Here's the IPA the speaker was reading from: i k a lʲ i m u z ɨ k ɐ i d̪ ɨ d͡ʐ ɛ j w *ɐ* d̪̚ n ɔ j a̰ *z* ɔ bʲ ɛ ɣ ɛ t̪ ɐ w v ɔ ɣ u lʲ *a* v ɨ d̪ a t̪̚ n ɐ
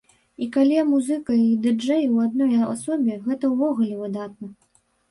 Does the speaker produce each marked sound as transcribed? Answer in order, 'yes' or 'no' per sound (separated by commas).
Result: no, no, no